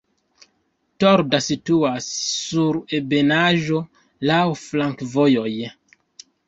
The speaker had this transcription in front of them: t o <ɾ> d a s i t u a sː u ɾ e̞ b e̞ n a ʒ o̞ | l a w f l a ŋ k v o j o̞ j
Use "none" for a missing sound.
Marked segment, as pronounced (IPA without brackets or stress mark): ɾ